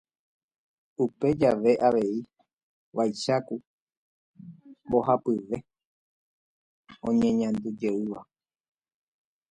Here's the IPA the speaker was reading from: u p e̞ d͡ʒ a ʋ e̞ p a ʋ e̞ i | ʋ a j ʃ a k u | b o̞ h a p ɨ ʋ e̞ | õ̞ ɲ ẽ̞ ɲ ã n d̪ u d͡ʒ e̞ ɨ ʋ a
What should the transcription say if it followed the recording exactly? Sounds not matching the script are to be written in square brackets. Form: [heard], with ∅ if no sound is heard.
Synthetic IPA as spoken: u p e̞ d͡ʒ a ʋ e̞ [ʔ] a ʋ e̞ i | ʋ a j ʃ a k u | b o̞ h a p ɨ ʋ e̞ | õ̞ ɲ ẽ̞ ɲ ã n d̪ u d͡ʒ e̞ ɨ ʋ a